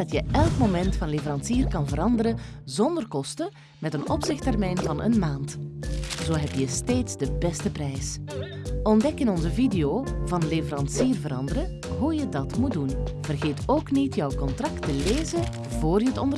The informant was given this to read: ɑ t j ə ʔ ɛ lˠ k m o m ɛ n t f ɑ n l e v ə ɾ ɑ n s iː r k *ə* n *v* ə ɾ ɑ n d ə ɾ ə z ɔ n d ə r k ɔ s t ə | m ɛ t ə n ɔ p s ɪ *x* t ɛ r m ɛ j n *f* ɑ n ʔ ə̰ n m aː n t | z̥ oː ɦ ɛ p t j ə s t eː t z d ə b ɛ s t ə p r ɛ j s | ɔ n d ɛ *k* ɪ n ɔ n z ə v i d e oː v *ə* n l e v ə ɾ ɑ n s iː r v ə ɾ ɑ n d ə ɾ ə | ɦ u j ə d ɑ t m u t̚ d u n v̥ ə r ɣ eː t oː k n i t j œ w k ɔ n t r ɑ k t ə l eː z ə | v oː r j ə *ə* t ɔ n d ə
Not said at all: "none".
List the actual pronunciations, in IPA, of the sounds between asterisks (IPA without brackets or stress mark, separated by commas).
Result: ɑ, v, x, v, k, ɑ, ə